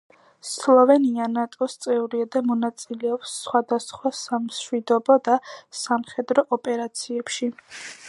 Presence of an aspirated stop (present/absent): absent